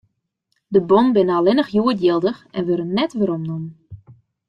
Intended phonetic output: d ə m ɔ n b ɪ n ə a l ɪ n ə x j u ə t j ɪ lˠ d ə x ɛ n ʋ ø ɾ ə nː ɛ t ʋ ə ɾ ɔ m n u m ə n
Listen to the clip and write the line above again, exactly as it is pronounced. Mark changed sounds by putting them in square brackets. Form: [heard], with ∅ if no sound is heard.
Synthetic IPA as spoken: d ə [b] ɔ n b ɪ n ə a l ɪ n ə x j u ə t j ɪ lˠ d ə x ɛ n ʋ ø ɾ ə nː ɛ t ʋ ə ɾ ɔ m n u m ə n